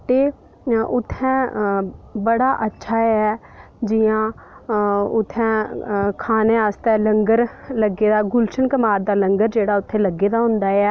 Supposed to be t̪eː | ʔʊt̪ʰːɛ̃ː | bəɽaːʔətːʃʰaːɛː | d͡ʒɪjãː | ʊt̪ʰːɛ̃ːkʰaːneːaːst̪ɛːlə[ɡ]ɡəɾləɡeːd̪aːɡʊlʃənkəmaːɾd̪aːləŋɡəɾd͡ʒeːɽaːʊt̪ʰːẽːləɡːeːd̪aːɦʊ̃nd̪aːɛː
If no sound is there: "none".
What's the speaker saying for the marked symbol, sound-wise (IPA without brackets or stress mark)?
ŋ